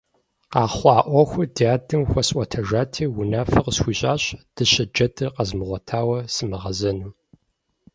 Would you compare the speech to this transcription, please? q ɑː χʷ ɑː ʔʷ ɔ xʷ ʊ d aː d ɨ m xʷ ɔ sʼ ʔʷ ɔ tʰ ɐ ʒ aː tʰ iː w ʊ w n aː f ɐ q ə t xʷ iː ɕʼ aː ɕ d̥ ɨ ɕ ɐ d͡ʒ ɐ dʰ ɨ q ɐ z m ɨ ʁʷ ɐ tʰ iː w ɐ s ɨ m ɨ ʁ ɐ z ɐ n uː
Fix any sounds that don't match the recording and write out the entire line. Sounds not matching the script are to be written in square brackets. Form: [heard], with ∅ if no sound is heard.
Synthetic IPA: q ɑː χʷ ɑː ʔʷ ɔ xʷ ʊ d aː d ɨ m xʷ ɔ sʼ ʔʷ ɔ tʰ ɐ ʒ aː tʰ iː w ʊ [∅] n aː f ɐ q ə [s] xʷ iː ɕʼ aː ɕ d̥ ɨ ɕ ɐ d͡ʒ ɐ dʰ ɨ q ɐ z m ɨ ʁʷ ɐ tʰ [aː] w ɐ s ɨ m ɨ ʁ ɐ z ɐ n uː

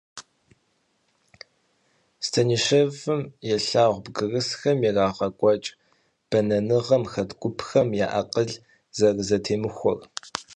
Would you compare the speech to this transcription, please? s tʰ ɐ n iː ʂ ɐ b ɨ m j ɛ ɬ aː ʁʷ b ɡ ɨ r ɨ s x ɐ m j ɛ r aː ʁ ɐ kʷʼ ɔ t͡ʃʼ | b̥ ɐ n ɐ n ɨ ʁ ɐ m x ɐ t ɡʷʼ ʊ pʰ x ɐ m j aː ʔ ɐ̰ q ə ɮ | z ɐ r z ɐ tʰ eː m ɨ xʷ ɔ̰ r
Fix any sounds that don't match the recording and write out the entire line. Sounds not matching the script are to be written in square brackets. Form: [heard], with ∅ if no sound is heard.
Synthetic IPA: s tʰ ɐ n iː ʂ ɐ [v] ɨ m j ɛ ɬ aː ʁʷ b ɡ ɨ r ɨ s x ɐ m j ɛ r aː ʁ ɐ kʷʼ ɔ t͡ʃʼ | b̥ ɐ n ɐ n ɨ ʁ ɐ m x ɐ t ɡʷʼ ʊ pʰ x ɐ m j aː ʔ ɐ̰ q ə ɮ | z ɐ r z ɐ tʰ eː m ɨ xʷ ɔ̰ r

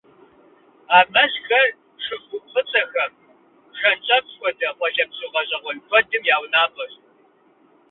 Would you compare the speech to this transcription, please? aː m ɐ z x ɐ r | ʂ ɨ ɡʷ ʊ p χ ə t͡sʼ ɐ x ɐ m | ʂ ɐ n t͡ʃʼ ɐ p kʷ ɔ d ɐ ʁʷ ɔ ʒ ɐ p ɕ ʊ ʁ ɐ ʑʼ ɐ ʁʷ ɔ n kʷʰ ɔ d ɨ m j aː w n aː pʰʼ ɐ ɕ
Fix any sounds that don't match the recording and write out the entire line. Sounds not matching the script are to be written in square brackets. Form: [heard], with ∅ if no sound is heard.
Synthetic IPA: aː m ɐ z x ɐ r | ʂ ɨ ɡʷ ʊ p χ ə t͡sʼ ɐ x ɐ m | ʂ ɐ n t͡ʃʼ ɐ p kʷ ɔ d ɐ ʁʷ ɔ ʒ ɐ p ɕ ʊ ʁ ɐ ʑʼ ɐ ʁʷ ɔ n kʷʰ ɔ d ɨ m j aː w n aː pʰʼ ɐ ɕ

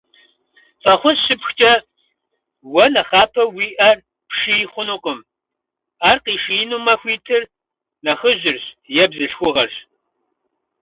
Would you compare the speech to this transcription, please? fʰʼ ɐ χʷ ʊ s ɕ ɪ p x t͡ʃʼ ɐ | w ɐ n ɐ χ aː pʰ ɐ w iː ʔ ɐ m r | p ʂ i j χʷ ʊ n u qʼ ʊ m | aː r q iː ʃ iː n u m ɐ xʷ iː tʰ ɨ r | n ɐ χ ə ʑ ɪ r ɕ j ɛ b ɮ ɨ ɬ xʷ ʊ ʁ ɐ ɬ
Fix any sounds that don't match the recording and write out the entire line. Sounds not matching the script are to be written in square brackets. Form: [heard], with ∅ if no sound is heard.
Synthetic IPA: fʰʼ ɐ χʷ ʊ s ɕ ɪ p x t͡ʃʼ ɐ | w ɐ n ɐ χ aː pʰ ɐ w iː ʔ ɐ [∅] r | p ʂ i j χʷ ʊ n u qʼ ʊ m | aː r q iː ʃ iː n u m ɐ xʷ iː tʰ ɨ r | n ɐ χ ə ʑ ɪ r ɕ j ɛ b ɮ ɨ ɬ xʷ ʊ ʁ ɐ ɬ

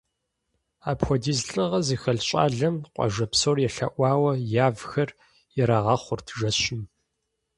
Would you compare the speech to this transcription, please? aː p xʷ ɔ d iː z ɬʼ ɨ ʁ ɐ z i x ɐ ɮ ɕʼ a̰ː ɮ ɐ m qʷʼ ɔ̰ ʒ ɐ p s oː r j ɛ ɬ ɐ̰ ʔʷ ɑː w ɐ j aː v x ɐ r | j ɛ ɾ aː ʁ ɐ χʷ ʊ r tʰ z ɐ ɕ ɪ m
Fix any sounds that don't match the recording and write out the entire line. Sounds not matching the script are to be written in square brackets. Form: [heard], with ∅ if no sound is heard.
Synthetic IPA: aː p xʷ ɔ d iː z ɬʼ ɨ ʁ ɐ z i x ɐ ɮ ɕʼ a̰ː ɮ ɐ m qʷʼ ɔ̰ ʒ ɐ p s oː r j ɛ ɬ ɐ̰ ʔʷ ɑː w ɐ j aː v x ɐ r | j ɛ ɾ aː ʁ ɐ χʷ ʊ r tʰ [ʒ] ɐ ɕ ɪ m

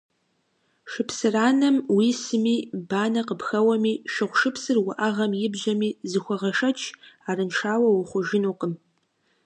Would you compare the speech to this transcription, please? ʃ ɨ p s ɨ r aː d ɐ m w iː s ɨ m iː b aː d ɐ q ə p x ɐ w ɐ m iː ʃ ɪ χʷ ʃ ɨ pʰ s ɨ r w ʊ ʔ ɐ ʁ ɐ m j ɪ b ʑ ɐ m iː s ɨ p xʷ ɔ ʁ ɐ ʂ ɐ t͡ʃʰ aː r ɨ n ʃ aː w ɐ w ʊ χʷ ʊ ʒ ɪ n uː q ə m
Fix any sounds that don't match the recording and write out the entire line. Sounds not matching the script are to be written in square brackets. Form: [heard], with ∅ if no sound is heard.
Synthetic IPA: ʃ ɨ p s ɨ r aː [n] ɐ m w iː s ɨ m iː b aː [n] ɐ q ə p x ɐ w ɐ m iː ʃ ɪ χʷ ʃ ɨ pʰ s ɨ r w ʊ ʔ ɐ ʁ ɐ m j ɪ b ʑ ɐ m iː [z] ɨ [∅] xʷ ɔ ʁ ɐ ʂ ɐ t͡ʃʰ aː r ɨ n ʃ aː w ɐ w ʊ χʷ ʊ ʒ ɪ n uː q ə m

